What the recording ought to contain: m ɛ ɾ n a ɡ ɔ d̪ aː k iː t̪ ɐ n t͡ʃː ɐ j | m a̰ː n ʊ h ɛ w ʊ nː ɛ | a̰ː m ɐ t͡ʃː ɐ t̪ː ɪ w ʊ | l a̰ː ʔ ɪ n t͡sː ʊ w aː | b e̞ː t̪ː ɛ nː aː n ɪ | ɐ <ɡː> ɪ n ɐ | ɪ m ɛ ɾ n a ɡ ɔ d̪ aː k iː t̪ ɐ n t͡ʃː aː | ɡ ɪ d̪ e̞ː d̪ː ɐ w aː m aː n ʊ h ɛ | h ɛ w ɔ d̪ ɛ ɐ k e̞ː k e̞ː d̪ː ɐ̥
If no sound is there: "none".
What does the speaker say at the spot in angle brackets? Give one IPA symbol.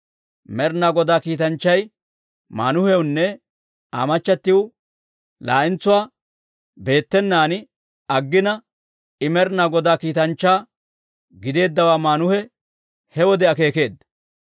ɡː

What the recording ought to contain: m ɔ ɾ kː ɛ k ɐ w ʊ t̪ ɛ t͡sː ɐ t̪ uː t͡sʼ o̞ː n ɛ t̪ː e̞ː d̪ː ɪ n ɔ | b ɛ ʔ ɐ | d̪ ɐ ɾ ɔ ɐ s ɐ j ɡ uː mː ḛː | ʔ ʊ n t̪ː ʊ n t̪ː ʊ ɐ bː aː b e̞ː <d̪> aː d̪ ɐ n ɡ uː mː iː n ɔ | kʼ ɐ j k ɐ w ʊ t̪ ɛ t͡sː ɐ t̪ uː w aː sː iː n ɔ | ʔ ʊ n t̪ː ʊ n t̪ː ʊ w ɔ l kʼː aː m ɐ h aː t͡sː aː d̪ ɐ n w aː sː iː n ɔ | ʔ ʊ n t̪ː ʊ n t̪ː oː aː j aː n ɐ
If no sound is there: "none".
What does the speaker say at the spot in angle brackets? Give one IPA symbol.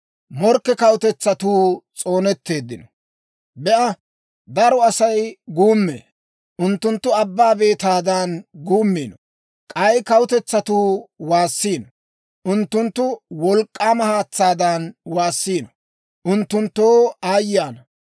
t̪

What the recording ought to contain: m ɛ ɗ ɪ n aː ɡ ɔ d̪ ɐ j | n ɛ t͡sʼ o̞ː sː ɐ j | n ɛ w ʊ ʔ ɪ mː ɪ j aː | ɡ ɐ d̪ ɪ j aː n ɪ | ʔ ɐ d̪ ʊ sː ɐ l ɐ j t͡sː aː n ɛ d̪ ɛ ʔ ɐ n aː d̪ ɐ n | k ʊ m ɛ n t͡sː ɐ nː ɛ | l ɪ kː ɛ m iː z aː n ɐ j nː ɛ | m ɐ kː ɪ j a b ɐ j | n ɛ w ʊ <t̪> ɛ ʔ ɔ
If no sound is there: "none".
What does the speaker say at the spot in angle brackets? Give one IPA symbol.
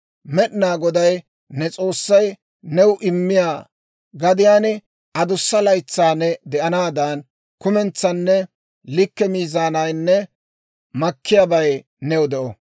d̪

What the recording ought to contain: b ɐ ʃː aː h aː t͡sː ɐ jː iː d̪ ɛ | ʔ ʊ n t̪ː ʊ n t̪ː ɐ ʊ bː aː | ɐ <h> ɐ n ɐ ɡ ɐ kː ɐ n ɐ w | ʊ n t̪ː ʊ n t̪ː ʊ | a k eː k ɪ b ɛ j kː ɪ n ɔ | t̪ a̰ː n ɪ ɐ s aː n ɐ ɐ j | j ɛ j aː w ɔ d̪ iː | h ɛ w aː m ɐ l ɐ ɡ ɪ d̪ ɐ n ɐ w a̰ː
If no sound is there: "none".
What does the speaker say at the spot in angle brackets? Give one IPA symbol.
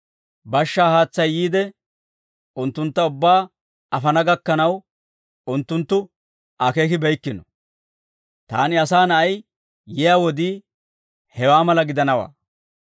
f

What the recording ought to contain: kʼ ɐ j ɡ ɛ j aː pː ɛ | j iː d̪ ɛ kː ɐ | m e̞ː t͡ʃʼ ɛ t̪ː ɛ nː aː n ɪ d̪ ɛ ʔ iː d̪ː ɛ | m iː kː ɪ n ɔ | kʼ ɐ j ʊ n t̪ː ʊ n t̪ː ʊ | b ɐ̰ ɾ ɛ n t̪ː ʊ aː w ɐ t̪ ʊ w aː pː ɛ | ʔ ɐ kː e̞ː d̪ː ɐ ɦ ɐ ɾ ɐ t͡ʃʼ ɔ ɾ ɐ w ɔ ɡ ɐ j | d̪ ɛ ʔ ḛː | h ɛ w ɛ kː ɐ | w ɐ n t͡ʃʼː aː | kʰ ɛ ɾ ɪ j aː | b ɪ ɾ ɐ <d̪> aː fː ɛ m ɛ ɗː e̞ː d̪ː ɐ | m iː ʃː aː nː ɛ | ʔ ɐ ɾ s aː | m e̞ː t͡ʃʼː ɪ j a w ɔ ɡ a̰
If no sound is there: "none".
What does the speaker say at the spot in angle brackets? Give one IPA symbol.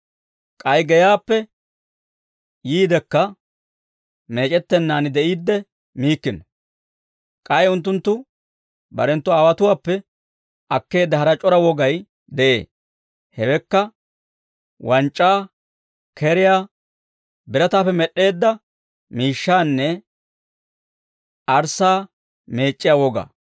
t̪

